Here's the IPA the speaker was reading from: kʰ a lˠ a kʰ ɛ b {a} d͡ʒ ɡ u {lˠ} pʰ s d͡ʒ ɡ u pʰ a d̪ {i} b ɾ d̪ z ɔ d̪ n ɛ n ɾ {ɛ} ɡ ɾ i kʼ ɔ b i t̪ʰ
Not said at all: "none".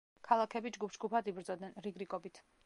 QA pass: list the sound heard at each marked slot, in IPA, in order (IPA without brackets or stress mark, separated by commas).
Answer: i, none, i, i